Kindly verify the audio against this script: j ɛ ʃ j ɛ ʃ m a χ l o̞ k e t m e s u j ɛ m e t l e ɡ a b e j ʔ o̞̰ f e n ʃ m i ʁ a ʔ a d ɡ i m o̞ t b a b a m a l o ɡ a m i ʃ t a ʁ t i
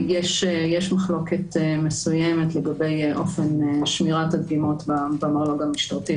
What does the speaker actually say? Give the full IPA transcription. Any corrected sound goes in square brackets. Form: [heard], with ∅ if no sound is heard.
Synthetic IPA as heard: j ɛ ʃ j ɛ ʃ m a χ l o̞ k e t m e s u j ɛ m e t l e ɡ a b e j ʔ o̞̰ f e n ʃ m i ʁ a [t] a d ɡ i m o̞ t b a b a m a l o ɡ a m i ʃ t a ʁ t i